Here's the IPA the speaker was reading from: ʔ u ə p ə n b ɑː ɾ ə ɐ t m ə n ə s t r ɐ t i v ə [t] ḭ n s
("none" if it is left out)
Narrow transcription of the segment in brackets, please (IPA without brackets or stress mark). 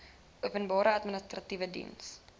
d